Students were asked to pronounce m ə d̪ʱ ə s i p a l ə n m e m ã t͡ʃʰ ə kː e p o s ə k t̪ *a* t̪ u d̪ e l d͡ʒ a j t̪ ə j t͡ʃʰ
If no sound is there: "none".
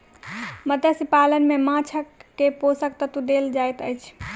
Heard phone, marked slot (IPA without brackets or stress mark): ə